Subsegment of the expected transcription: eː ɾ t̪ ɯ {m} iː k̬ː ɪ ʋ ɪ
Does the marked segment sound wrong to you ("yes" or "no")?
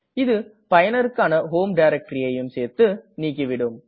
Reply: yes